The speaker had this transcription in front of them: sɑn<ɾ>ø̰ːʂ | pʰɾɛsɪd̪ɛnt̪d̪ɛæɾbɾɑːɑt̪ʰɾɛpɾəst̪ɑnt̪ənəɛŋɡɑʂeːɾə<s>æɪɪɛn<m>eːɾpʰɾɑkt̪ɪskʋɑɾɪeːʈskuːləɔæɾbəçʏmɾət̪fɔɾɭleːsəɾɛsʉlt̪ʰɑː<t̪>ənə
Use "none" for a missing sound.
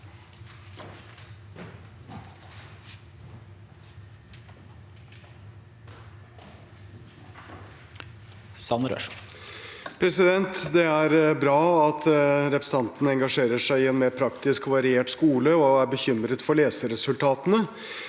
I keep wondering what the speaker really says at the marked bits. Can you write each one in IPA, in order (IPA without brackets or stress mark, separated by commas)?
ɾ, ʂ, m, t̪